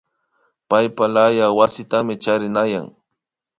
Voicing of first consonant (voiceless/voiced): voiceless